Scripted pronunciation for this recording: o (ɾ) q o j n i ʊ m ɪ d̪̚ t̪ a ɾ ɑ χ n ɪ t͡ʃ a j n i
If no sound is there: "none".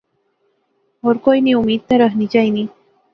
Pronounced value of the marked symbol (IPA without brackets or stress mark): ɾ